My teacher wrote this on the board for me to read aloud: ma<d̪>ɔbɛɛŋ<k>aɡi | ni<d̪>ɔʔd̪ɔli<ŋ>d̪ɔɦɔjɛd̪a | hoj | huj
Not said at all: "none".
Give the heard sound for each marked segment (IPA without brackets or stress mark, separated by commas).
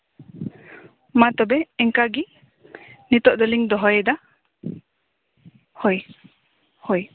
t̪, k, t̪, ŋ